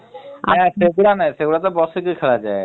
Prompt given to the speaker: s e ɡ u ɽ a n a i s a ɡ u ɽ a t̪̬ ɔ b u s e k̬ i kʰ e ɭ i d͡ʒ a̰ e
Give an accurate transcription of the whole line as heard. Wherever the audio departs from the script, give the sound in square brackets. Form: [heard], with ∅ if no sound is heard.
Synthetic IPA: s e ɡ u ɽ a n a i s [e] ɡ u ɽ a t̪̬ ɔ b [ɔ] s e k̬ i kʰ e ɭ [a] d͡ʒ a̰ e